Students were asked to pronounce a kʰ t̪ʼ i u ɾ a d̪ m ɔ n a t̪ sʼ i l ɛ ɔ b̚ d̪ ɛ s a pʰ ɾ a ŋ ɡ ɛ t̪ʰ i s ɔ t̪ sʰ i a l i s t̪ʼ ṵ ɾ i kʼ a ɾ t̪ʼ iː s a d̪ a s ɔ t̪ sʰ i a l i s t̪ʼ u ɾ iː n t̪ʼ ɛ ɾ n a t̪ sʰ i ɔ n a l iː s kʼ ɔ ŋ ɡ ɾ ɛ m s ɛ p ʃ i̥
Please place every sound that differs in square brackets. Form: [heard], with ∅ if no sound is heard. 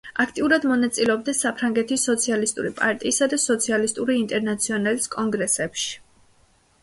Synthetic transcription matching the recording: a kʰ t̪ʼ i u ɾ a d̪ m ɔ n a t̪ sʼ i l ɛ ɔ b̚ d̪ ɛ s a pʰ ɾ a ŋ ɡ ɛ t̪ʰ i s ɔ t̪ sʰ i a l i s t̪ʼ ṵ ɾ i [pʼ] a ɾ t̪ʼ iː s a d̪ a s ɔ t̪ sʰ i a l i s t̪ʼ u ɾ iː n t̪ʼ ɛ ɾ n a t̪ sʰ i ɔ n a l [i] s kʼ ɔ ŋ ɡ ɾ ɛ [∅] s ɛ p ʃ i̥